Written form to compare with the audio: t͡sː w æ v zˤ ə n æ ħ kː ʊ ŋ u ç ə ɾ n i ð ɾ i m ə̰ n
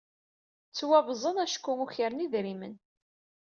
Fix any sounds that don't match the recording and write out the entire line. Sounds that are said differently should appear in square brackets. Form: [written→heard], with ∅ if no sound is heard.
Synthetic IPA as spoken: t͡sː w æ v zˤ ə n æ [ħ→ʃ] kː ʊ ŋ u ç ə ɾ n i ð ɾ i m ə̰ n